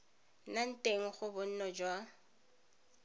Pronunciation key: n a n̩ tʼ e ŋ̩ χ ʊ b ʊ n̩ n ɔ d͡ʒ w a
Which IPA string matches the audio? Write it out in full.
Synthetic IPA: n a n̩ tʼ e ŋ̩ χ ʊ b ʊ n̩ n ɔ d͡ʒ w a